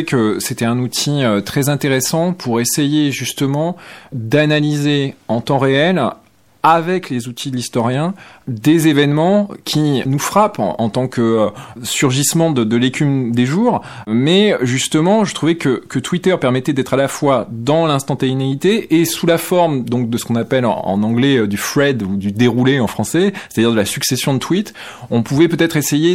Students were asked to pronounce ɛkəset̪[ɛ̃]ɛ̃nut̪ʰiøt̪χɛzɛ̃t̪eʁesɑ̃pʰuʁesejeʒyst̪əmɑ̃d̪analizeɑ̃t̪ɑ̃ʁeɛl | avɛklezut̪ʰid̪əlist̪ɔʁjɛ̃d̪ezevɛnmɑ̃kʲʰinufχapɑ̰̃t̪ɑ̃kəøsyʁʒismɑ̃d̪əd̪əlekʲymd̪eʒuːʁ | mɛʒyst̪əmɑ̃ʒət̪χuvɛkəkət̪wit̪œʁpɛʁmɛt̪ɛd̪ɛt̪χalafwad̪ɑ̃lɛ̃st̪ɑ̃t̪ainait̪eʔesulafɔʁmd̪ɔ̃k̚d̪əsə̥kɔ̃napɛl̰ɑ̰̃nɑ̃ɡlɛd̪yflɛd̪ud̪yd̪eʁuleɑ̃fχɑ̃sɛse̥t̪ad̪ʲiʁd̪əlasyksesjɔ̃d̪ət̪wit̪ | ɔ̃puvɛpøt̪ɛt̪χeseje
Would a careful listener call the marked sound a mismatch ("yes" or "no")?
yes